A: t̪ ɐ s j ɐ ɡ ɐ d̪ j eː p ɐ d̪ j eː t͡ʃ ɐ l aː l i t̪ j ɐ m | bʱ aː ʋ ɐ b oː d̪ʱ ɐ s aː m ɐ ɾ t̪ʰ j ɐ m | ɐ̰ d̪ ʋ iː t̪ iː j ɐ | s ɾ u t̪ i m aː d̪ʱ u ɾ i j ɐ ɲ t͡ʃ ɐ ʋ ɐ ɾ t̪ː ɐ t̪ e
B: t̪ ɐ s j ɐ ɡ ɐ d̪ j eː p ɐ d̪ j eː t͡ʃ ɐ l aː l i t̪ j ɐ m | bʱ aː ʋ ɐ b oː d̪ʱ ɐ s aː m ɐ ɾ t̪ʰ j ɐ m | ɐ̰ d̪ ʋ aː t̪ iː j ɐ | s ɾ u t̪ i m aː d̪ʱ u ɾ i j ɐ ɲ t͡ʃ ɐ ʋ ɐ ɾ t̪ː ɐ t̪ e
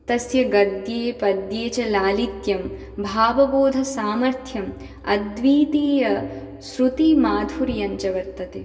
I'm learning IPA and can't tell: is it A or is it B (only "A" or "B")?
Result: A